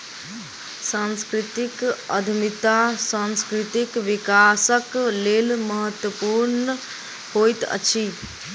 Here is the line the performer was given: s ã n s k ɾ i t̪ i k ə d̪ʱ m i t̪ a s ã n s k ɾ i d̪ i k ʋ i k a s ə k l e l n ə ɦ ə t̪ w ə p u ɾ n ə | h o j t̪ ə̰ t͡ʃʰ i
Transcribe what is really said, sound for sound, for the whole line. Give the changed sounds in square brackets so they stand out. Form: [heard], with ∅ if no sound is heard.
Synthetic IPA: s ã n s k ɾ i t̪ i k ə d̪ʱ m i t̪ a s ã n s k ɾ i [t̪] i k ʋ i k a s ə k l e l [m] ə ɦ ə t̪ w ə p u ɾ n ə | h o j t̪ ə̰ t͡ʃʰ i